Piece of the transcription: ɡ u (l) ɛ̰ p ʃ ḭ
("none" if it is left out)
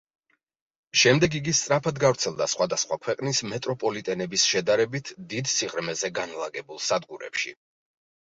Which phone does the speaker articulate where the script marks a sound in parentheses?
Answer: ɾ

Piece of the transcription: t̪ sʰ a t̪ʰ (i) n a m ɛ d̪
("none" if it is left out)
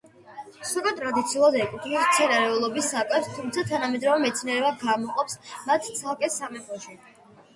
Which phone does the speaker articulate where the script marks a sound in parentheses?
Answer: a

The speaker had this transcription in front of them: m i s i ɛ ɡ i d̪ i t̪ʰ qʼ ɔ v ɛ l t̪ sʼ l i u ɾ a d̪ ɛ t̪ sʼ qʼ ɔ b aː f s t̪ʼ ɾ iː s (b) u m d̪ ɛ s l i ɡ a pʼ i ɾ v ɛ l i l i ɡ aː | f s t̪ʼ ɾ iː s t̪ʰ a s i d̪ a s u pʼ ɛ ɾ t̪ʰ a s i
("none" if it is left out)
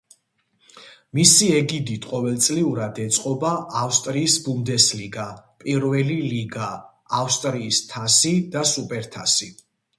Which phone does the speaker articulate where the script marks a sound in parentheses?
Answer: b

